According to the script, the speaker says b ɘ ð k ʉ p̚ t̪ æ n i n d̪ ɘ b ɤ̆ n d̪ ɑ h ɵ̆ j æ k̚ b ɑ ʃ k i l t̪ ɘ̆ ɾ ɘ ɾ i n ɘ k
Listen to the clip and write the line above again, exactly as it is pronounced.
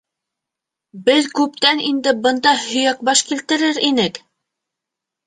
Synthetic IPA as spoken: b ɘ ð k ʉ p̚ t̪ æ n i n d̪ ɘ b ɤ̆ n d̪ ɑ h ɵ̆ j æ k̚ b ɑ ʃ k i l t̪ ɘ̆ ɾ ɘ ɾ i n ɘ k